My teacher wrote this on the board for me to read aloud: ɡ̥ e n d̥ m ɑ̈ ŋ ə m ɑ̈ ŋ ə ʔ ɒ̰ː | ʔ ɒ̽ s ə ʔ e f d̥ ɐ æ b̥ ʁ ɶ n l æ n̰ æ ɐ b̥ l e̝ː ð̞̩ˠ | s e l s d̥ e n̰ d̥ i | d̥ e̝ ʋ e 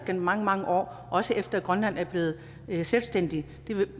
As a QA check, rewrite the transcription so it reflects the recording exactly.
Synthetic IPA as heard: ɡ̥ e n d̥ m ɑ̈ ŋ ə m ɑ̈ ŋ ə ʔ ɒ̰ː | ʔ ɒ̽ s ə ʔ e f d̥ ɐ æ ɡ̥ ʁ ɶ n l æ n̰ æ ɐ b̥ l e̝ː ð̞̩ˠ | s e l s d̥ e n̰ d̥ i | d̥ e̝ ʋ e